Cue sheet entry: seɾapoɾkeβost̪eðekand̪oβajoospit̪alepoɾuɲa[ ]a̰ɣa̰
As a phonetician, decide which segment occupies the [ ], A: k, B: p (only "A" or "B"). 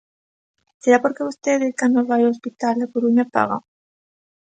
B